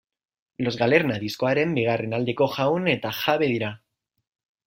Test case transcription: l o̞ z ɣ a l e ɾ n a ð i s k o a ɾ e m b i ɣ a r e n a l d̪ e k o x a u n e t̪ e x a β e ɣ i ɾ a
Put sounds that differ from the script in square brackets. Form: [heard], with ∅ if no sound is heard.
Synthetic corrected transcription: l o̞ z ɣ a l e ɾ n a ð i s k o a ɾ e m b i ɣ a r e n a l d̪ e k o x a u n e t̪ [a] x a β e [ð] i ɾ a